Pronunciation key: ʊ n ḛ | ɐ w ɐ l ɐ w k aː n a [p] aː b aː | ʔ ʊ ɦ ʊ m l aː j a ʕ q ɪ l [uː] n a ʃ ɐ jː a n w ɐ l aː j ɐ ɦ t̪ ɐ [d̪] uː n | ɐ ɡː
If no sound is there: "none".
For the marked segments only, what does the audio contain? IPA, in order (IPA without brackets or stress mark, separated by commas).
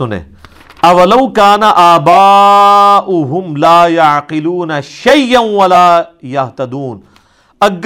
ʔ, uː, d̪